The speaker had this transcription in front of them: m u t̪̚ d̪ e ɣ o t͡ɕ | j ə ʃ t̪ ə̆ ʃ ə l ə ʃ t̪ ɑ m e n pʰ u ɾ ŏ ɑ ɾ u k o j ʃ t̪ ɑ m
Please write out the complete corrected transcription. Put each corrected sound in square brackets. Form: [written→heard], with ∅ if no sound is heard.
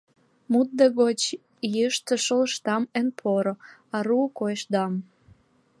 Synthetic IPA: m u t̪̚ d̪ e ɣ o t͡ɕ | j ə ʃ t̪ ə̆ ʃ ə l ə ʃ t̪ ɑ m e n pʰ [u→o] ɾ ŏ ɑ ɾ u k o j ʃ [t̪→d̪] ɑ m